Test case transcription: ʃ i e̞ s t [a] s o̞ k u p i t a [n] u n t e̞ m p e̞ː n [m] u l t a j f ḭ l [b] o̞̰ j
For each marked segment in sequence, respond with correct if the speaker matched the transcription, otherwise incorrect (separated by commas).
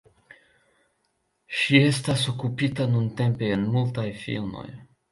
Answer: correct, correct, correct, incorrect